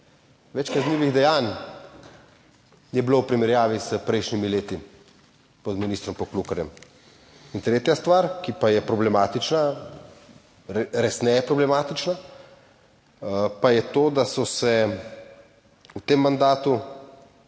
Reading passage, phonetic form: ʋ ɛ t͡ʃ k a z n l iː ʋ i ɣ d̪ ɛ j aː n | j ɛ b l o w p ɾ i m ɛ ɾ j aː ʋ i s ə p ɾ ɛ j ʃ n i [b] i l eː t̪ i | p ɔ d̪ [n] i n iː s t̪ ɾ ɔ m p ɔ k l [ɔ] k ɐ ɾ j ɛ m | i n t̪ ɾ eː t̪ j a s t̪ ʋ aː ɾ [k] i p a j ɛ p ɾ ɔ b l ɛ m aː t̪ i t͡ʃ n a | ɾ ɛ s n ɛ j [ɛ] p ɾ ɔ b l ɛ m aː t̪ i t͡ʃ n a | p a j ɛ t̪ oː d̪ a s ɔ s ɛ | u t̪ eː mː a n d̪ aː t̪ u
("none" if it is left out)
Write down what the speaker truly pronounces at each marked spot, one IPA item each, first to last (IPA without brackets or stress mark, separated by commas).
m, m, u, k, ɛ